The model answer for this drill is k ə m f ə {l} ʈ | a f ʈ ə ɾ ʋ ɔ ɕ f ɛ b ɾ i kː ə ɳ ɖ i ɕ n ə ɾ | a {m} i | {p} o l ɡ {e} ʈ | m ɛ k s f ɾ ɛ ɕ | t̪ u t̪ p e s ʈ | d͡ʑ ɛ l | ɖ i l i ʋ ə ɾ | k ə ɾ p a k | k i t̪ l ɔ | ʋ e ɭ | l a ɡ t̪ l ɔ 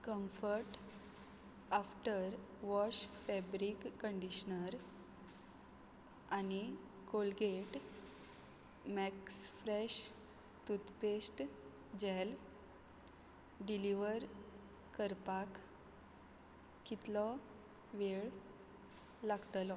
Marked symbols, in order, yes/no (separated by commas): no, no, no, yes